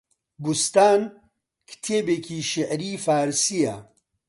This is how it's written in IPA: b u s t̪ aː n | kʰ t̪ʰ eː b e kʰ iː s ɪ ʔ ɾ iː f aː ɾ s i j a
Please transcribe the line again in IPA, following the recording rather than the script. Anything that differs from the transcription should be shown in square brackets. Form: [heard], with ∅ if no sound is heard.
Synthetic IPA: b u s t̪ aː n | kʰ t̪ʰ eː b e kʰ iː [ʃ] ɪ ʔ ɾ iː f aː ɾ s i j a